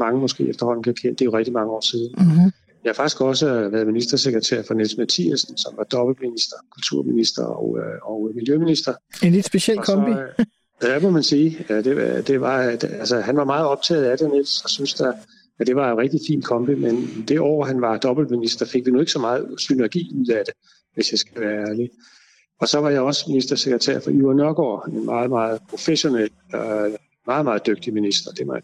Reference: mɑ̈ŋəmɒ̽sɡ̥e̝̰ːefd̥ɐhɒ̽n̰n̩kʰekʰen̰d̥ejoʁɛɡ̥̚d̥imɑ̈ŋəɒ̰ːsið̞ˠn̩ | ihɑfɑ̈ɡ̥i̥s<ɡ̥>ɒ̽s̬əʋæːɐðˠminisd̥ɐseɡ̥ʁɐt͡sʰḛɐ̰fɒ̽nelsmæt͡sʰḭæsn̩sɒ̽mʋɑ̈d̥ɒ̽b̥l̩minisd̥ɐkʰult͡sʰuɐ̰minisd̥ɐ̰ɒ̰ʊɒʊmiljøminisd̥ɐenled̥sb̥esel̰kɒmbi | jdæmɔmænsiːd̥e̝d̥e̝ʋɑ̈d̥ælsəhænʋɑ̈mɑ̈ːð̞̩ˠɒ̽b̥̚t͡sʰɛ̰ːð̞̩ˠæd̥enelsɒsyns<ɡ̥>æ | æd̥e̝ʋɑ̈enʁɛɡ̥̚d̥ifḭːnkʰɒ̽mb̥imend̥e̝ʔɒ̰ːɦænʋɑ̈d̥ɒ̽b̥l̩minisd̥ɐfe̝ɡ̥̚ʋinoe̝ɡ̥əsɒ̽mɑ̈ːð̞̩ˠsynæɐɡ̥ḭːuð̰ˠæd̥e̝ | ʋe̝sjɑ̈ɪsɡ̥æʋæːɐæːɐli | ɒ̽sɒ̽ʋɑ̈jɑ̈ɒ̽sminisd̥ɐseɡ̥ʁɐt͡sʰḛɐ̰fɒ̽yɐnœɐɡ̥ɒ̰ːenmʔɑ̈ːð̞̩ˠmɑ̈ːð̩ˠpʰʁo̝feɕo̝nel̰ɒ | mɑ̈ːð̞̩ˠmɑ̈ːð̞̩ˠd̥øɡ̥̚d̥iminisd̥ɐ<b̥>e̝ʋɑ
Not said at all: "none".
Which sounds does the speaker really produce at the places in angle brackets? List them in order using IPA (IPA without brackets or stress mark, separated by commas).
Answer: ɡ̥, d̥, d̥